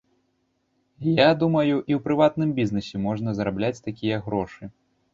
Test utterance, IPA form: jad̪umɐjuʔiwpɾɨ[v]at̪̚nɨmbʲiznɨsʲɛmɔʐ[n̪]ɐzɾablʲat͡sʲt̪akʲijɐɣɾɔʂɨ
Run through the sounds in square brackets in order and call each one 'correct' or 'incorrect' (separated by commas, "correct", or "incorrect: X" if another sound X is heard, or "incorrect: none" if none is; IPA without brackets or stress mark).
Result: correct, correct